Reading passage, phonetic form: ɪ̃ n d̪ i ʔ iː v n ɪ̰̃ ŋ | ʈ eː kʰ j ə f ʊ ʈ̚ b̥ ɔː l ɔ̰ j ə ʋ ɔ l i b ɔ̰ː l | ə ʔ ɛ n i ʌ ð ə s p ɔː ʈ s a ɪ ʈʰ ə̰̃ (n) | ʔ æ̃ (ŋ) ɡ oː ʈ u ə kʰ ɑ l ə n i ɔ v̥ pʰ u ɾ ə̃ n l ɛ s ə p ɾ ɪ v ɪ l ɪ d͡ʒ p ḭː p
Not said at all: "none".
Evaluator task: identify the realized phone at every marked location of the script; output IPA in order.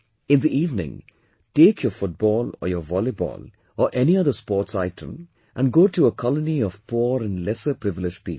m, n

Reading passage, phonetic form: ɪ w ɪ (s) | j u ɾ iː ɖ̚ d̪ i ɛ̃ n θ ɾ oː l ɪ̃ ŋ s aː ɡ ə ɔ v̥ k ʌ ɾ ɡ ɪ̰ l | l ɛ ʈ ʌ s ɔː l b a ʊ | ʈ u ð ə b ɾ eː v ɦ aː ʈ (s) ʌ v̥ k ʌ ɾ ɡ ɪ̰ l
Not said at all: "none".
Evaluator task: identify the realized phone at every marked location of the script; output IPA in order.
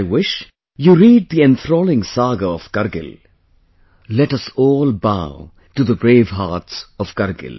ʃ, s

